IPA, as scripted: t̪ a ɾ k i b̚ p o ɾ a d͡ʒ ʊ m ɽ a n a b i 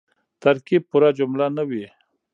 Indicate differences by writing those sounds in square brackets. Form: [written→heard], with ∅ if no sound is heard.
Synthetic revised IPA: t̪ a ɾ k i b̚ p [o→u] ɾ a d͡ʒ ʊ m [ɽ→l] a n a [b→w] i